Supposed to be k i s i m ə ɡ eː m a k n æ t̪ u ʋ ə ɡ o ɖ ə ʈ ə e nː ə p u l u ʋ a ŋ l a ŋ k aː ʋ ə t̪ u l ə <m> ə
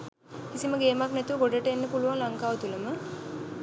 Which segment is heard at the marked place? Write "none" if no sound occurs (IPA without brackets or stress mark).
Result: m